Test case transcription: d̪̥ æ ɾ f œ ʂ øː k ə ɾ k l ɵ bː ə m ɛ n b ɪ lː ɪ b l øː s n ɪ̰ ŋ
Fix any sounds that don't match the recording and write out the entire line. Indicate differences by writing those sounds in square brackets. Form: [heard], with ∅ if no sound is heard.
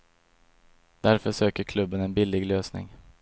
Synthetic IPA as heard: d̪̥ æ ɾ f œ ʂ øː k ə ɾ [kʰ] l ɵ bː ə [n] ɛ n b ɪ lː ɪ [ɡ] l øː s n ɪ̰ ŋ